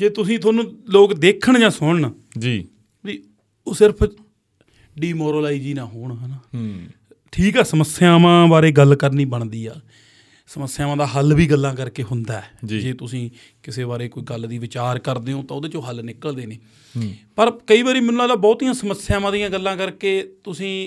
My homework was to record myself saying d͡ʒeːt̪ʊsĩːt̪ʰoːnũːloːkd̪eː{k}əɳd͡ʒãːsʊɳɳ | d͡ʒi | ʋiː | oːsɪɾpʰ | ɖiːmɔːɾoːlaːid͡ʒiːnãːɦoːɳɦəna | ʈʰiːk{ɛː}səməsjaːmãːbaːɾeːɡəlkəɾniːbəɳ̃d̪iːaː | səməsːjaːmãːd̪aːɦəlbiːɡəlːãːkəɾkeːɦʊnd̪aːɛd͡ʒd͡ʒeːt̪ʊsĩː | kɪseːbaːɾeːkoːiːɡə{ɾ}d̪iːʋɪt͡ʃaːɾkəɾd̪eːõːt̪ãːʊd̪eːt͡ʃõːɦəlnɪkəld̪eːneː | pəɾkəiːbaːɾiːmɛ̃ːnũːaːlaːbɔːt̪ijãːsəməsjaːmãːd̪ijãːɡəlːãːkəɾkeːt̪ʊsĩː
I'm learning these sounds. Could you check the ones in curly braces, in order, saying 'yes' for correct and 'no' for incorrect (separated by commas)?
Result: no, yes, no